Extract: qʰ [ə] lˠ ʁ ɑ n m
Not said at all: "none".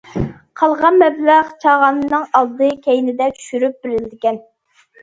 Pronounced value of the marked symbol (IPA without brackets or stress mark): ɑ